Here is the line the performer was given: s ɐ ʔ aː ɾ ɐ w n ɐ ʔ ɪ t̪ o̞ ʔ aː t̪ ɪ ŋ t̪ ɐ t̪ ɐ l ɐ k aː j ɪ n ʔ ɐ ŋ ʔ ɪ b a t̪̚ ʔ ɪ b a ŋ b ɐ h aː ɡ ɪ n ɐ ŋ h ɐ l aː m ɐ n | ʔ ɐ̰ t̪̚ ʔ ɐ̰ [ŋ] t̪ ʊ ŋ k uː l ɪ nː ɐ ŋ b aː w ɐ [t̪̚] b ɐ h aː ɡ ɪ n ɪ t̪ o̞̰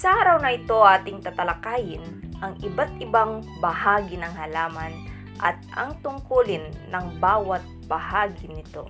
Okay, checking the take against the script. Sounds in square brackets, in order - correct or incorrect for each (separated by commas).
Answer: correct, correct